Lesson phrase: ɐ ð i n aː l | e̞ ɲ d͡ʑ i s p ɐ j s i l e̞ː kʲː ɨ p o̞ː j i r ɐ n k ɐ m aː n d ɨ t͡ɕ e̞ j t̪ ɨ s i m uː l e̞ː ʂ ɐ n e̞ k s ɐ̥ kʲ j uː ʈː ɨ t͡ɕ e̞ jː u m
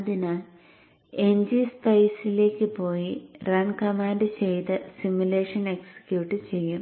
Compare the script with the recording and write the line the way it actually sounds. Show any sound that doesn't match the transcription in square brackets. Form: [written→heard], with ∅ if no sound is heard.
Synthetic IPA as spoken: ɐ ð i n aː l | e̞ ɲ d͡ʑ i s p ɐ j s i l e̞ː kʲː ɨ p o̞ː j i r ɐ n k ɐ m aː n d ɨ t͡ɕ e̞ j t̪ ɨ s i m [uː→u] l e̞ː ʂ ɐ n e̞ k s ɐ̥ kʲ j uː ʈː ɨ t͡ɕ e̞ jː u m